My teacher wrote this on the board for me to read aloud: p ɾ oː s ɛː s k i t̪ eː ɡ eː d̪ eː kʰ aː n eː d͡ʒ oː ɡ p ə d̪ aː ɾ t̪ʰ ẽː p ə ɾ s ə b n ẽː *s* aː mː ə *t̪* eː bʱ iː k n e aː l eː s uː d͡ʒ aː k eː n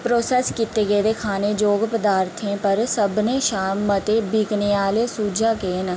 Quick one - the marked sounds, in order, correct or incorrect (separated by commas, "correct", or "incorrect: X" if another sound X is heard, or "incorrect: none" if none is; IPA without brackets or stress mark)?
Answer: incorrect: ʃ, correct